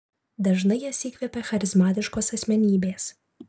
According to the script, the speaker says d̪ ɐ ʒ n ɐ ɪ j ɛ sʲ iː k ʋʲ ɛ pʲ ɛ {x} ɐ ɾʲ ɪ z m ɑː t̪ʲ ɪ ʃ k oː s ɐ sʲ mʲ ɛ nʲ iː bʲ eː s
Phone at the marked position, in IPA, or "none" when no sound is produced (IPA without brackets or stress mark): x